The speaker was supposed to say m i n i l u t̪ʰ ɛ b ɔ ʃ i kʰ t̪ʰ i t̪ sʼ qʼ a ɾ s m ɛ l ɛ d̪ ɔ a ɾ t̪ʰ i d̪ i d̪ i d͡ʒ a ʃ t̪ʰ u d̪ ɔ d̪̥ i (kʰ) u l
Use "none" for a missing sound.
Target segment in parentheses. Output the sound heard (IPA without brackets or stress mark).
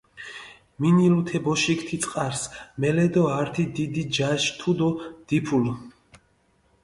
pʰ